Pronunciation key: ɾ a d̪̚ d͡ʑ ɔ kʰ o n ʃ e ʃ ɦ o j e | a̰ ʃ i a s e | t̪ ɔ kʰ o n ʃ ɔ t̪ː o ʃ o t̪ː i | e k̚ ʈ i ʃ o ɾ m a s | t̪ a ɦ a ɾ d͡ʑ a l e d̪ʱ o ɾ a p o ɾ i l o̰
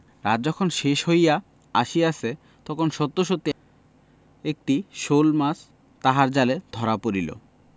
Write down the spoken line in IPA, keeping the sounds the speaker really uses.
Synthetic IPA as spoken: ɾ a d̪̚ d͡ʑ ɔ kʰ o n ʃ e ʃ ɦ o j a | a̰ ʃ i a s e | t̪ ɔ kʰ o n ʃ ɔ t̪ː o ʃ o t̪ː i | e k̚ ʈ i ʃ o l m a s | t̪ a ɦ a ɾ d͡ʑ a l e d̪ʱ ɔ ɾ a p o ɾ i l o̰